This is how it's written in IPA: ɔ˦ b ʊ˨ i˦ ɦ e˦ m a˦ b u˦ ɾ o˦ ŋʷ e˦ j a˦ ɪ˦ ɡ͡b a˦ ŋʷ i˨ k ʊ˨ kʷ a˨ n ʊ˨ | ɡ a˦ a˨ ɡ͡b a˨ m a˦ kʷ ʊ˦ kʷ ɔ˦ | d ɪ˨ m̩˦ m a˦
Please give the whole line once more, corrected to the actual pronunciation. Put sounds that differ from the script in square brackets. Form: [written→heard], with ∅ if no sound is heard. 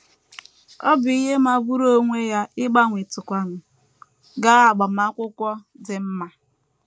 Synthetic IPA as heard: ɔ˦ b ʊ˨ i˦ ɦ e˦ m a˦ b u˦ ɾ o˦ ŋʷ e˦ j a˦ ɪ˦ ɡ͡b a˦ ŋʷ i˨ [k→t] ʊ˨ kʷ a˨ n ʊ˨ | ɡ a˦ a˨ ɡ͡b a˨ m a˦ kʷ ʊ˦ kʷ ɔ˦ | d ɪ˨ m̩˦ m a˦